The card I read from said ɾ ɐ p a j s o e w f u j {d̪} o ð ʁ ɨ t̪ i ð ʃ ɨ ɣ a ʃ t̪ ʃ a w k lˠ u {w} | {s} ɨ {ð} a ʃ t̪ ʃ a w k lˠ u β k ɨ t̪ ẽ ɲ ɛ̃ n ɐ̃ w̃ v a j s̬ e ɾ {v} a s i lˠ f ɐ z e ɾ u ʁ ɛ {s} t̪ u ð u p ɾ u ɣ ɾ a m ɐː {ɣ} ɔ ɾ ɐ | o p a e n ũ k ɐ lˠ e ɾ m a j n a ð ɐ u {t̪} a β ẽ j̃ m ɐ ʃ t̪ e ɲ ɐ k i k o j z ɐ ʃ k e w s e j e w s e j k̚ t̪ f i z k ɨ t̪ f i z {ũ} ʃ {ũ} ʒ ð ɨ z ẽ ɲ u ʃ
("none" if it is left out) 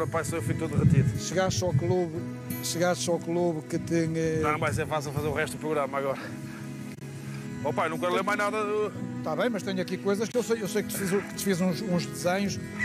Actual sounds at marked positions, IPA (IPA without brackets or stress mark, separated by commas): t̪, β, ʃ, ɣ, f, ʃ, ɣ, t̪, ũ, ũ